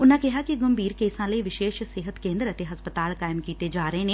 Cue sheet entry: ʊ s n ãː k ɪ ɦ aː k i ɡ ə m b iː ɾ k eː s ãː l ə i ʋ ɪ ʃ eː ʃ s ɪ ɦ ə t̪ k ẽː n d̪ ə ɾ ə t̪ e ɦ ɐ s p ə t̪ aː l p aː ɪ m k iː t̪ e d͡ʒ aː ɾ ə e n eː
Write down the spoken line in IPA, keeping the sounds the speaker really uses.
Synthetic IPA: ʊ n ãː k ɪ ɦ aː k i ɡ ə m b iː ɾ k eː s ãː l ə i ʋ ɪ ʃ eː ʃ s ɪ ɦ ə t̪ k ẽː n d̪ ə ɾ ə t̪ e ɦ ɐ s p ə t̪ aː l k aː ɪ m k iː t̪ e d͡ʒ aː ɾ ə e n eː